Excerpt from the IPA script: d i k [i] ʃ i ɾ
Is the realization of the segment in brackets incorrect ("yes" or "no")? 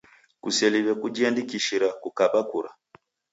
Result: no